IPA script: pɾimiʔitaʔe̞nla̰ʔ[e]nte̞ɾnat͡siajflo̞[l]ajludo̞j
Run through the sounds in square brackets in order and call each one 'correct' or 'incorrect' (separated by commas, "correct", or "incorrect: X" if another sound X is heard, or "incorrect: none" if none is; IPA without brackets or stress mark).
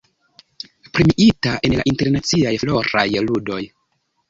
incorrect: i, incorrect: ɾ